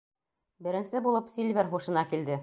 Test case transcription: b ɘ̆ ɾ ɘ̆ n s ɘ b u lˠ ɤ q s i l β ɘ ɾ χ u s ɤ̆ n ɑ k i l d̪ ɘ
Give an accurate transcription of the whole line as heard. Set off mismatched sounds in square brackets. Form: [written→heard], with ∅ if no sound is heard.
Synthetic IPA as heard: b ɘ̆ ɾ ɘ̆ n s ɘ b u lˠ ɤ [q→p] s i l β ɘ ɾ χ u [s→ʃ] ɤ̆ n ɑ k i l d̪ ɘ